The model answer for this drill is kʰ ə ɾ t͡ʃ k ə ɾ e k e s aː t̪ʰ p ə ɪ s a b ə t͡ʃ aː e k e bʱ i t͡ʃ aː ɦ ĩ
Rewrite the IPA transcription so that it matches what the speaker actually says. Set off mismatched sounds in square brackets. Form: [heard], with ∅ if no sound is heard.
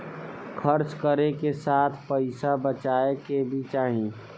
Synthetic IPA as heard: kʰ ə ɾ t͡ʃ k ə ɾ e k e s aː t̪ʰ p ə ɪ s a b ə t͡ʃ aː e k e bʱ i t͡ʃ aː ɦ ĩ